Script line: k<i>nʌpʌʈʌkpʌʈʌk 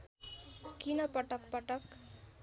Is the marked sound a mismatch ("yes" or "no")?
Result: no